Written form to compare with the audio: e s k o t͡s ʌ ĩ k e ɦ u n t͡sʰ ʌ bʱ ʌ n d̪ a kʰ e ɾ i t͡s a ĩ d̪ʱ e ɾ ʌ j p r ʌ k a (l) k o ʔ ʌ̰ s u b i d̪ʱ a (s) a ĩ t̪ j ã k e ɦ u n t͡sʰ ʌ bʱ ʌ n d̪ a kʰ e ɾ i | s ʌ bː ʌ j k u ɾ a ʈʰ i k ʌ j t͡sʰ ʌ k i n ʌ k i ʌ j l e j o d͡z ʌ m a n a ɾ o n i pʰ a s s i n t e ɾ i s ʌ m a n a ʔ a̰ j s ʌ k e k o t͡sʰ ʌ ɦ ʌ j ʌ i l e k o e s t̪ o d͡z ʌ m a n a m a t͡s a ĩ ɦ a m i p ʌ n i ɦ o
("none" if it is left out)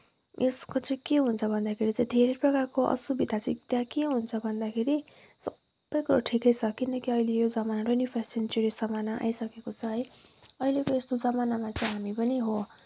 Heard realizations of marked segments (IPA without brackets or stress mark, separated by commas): r, t͡s